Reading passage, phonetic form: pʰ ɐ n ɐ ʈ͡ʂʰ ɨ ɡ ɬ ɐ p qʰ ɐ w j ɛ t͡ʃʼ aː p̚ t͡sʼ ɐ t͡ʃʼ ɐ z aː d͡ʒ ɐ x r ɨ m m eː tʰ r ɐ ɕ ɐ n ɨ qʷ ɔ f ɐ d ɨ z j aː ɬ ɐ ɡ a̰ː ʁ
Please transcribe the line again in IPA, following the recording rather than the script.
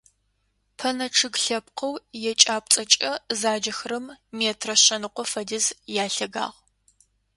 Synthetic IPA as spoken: pʰ ɐ n ɐ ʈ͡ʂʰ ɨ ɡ ɬ ɐ p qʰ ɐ w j ɛ t͡ʃʼ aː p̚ t͡sʼ ɐ t͡ʃʼ ɐ z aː d͡ʒ ɐ x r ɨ m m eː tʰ r ɐ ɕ ɐ n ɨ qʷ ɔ f ɐ d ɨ z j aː ɬ ɐ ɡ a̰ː ʁ

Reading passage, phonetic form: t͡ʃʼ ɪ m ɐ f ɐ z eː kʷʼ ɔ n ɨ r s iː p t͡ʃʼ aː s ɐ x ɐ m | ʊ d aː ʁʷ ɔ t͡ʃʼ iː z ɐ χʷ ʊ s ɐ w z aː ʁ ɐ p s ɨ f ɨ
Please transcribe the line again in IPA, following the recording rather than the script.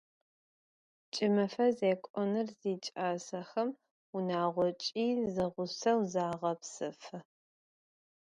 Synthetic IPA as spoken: t͡ʃʼ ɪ m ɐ f ɐ z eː kʷʼ ɔ n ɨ r z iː t͡ʃʼ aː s ɐ x ɐ m | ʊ n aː ʁʷ ɔ t͡ʃʼ iː z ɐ ʁʷ ʊ s ɐ w z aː ʁ ɐ p s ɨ f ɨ

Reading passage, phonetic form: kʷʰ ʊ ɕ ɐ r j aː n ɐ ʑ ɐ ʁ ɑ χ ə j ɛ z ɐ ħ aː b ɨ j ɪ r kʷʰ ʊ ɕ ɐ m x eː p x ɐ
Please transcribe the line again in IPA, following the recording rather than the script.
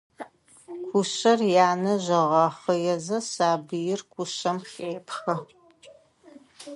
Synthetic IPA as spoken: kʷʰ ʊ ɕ ɐ r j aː n ɐ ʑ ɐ ʁ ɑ χ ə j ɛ z ɐ s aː b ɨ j ɪ r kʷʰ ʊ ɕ ɐ m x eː p x ɐ

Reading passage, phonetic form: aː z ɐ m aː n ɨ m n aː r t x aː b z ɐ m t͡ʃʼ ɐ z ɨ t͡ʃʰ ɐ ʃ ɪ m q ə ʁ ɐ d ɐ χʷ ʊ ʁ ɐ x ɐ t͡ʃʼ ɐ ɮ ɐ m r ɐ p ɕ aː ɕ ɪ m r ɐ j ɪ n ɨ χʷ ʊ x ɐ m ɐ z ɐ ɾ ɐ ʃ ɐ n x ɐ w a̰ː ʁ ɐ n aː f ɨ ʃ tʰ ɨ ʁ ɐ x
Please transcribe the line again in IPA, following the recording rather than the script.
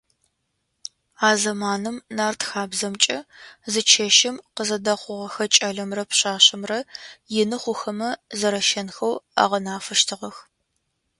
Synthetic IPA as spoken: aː z ɐ m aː n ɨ m n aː r t x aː b z ɐ m t͡ʃʼ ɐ z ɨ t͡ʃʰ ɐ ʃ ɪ m q ə z ɐ d ɐ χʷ ʊ ʁ ɐ x ɐ t͡ʃʼ ɐ ɮ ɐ m r ɐ p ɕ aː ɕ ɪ m r ɐ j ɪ n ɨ χʷ ʊ x ɐ m ɐ z ɐ ɾ ɐ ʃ ɐ n x ɐ w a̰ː ʁ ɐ n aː f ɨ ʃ tʰ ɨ ʁ ɐ x

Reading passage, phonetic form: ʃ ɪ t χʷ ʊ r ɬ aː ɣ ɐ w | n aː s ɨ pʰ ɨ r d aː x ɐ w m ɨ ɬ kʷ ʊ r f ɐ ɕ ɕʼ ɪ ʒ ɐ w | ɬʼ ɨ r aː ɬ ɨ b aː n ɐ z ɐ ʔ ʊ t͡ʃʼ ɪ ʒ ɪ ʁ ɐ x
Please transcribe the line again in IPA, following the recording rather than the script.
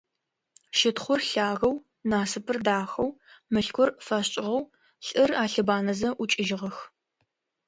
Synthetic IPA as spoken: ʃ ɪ t χʷ ʊ r ɬ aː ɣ ɐ w | n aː s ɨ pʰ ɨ r d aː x ɐ w m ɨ ɬ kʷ ʊ r f ɐ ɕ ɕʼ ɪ ʁ ɐ w | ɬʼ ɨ r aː ɬ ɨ b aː n ɐ z ɐ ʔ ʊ t͡ʃʼ ɪ ʒ ɪ ʁ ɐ x

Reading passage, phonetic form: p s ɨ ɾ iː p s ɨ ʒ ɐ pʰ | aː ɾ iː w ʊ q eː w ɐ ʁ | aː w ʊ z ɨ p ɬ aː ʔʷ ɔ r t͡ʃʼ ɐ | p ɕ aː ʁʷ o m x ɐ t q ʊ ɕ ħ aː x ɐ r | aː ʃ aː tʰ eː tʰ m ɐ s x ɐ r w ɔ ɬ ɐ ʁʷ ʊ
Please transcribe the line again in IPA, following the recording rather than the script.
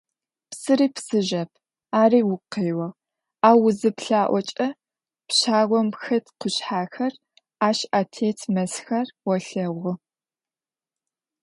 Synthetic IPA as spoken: p s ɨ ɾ iː p s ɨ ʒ ɐ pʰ | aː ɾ iː w ʊ q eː w ɐ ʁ | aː w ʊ z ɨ p ɬ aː ʔʷ ɔ t͡ʃʼ ɐ | p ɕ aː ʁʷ ɔ m x ɐ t q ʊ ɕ ħ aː x ɐ r | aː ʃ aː tʰ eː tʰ m ɐ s x ɐ r w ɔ ɬ ɐ ʁʷ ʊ

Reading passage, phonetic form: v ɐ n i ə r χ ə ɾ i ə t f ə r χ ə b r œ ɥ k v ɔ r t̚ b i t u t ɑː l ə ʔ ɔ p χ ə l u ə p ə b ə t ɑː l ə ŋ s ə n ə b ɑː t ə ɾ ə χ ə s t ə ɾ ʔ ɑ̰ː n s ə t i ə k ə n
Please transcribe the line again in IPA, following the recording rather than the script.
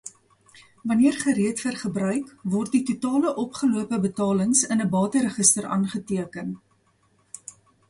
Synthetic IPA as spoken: v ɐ n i ə r χ ə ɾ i ə t f ə r χ ə b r œ ɥ k v ɔ r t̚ d i t u t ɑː l ə ʔ ɔ p χ ə l u ə p ə b ə t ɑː l ə ŋ s ə n ə b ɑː t ə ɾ ə χ ə s t ə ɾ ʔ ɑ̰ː n χ ə t i ə k ə n

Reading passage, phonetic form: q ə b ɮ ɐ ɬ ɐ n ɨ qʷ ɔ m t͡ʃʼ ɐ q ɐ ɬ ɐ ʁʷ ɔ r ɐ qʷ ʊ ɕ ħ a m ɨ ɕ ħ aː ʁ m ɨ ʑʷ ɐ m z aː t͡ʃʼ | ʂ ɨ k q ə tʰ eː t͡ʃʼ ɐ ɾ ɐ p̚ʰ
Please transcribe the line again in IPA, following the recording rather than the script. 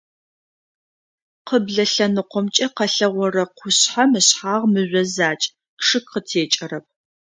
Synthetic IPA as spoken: q ə b ɮ ɐ ɬ ɐ n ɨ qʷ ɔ m t͡ʃʼ ɐ q ɐ ɬ ɐ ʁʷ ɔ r ɐ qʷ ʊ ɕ ħ a m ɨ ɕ ħ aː ʁ m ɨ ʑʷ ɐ z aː t͡ʃʼ | ʂ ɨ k q ə tʰ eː t͡ʃʼ ɐ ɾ ɐ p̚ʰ

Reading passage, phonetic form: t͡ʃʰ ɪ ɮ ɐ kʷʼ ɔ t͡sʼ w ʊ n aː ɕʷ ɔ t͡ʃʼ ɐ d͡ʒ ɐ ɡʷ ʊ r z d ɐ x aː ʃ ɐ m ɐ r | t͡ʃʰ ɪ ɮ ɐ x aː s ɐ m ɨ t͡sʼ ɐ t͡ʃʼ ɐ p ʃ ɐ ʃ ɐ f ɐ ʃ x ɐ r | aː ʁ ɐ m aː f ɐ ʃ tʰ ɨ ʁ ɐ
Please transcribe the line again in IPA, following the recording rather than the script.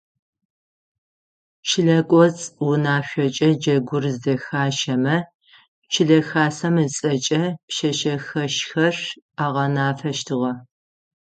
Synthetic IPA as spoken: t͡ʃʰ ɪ ɮ ɐ kʷʼ ɔ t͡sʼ w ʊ n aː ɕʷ ɔ t͡ʃʼ ɐ d͡ʒ ɐ ɡʷ ʊ r z d ɐ x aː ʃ ɐ m ɐ | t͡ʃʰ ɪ ɮ ɐ x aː s ɐ m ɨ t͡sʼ ɐ t͡ʃʼ ɐ p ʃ ɐ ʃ ɐ x ɐ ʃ x ɐ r | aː ʁ ɐ n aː f ɐ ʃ tʰ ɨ ʁ ɐ

